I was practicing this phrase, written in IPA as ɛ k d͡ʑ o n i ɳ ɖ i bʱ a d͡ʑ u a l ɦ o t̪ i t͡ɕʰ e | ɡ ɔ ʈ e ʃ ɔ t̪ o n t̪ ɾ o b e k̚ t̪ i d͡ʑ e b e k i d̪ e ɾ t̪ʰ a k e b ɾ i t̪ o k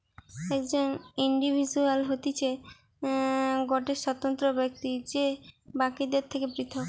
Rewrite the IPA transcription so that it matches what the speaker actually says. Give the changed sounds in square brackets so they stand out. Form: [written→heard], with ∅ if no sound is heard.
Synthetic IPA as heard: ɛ k d͡ʑ o n i ɳ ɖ i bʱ [a→i] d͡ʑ u a l ɦ o t̪ i t͡ɕʰ e | ɡ ɔ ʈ e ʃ ɔ t̪ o n t̪ ɾ o b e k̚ t̪ i d͡ʑ e b [e→a] k i d̪ e ɾ t̪ʰ [a→e] k e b ɾ i [t̪→t̪ʰ] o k